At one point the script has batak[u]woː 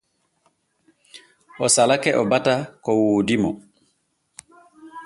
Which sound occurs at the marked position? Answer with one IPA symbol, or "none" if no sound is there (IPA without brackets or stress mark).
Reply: ɔ